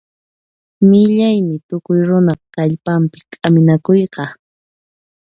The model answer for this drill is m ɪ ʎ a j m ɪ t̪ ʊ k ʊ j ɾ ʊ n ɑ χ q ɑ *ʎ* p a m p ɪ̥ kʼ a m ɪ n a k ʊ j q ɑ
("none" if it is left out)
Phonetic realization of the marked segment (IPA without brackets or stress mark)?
ʎ